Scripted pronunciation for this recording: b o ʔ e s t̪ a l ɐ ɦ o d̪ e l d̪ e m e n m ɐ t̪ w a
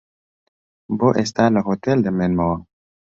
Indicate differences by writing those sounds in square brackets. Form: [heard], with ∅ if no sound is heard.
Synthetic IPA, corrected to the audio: b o ʔ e s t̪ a l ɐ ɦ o [t̪] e l d̪ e m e n m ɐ [∅] w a

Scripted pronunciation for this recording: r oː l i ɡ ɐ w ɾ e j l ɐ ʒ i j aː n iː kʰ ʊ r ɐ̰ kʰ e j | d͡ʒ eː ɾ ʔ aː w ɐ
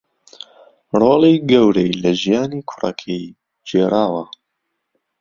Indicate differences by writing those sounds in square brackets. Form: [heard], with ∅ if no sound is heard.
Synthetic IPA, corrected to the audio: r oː l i ɡ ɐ w ɾ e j l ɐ ʒ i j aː n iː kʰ ʊ r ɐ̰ kʰ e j | d͡ʒ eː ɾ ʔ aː w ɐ

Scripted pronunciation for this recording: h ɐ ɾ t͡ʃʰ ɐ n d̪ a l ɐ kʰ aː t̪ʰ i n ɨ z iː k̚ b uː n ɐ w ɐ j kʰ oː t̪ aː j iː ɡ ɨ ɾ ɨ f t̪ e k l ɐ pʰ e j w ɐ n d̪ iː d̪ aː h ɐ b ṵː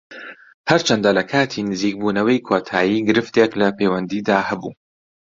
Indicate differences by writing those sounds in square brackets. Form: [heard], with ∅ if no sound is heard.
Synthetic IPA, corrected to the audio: h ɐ ɾ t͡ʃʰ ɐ n d̪ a l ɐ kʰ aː t̪ʰ i n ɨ z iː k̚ b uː n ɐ w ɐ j kʰ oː [t̪ʰ] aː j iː ɡ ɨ ɾ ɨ f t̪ e k l ɐ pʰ e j w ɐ n d̪ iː d̪ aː h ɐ b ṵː

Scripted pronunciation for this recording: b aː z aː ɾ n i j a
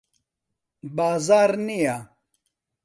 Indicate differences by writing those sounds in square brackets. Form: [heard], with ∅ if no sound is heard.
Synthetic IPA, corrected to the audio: b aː z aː ɾ n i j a

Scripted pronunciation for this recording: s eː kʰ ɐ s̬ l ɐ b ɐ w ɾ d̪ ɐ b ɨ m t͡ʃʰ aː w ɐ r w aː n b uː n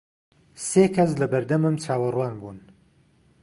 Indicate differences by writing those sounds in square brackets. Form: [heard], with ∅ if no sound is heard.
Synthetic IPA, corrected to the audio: s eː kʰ ɐ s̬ l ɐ b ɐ [∅] ɾ d̪ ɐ [m] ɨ m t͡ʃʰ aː w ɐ r w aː n b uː n

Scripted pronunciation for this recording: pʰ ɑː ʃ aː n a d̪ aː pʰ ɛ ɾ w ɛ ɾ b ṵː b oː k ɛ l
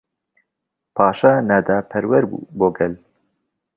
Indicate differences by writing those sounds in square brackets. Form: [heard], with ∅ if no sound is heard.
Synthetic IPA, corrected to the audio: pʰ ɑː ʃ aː n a d̪ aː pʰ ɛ ɾ w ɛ ɾ b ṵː b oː [ɡ] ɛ l

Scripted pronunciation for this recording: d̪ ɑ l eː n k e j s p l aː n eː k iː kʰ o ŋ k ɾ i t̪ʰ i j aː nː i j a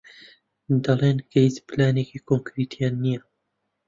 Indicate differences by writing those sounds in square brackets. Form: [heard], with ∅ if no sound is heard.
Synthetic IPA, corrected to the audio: d̪ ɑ l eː n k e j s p l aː n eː k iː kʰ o ŋ k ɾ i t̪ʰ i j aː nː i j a

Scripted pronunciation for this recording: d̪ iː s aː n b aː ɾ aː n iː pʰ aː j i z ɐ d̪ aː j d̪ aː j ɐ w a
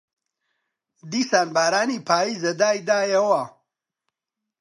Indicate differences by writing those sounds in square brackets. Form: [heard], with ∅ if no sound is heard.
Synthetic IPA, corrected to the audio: d̪ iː s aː n b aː ɾ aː n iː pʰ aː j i z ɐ d̪ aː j d̪ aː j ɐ w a

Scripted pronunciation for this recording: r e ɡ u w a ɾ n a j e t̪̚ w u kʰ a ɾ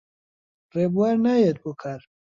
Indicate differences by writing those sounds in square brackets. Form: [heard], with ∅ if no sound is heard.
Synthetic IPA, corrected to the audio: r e [b] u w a ɾ n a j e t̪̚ [b] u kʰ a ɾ

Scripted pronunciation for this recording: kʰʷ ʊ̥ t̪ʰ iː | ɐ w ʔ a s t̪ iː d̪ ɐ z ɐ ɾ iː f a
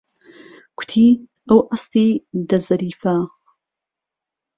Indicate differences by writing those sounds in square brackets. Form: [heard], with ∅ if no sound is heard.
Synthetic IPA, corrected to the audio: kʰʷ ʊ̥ t̪ʰ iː | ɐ w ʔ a s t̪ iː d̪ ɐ z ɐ ɾ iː f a

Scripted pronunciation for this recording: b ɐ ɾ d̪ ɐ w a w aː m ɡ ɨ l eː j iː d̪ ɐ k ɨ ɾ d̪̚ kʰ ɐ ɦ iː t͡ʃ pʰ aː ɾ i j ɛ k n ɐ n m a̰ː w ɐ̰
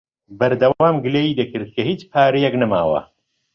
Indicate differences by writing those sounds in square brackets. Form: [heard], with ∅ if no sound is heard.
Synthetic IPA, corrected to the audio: b ɐ ɾ d̪ ɐ w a w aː m ɡ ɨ l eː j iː d̪ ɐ k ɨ ɾ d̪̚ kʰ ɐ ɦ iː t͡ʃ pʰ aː ɾ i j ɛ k n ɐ [∅] m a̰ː w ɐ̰

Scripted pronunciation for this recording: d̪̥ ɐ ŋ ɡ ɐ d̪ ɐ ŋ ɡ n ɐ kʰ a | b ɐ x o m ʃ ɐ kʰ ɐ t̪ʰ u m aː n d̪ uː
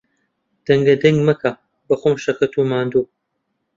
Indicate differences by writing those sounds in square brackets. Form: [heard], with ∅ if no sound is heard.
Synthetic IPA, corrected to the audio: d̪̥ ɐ ŋ ɡ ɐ d̪ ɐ ŋ ɡ [m] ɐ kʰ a | b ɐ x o m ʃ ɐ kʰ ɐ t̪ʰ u m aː n d̪ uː

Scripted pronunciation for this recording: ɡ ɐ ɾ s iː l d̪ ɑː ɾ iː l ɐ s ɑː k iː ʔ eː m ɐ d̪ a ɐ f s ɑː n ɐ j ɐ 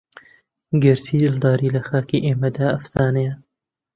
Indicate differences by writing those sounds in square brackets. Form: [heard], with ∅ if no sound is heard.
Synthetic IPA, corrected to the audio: ɡ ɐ ɾ s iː l d̪ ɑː ɾ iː l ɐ [x] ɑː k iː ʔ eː m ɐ d̪ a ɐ f s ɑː n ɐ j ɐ

